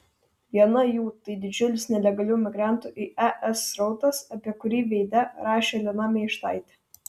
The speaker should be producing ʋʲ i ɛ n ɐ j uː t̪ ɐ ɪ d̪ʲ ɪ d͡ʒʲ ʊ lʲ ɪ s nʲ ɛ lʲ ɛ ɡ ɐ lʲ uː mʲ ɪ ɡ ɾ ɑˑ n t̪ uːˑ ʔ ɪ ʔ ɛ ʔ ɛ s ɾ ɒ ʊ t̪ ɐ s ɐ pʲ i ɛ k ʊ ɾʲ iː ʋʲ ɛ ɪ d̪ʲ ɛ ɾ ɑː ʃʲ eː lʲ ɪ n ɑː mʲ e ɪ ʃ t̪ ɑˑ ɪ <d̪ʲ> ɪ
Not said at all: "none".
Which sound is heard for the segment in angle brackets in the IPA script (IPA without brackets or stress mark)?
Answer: t̪ʲ